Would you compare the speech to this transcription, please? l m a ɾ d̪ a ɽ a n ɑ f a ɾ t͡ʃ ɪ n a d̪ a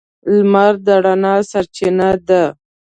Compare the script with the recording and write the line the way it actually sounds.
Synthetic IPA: l m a ɾ d̪ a ɽ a n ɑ s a ɾ t͡ʃ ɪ n a d̪ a